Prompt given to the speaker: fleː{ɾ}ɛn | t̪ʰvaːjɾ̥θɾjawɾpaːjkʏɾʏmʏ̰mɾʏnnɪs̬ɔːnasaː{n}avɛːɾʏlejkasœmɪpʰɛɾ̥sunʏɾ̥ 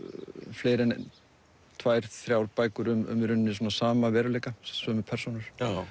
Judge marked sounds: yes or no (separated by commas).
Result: yes, no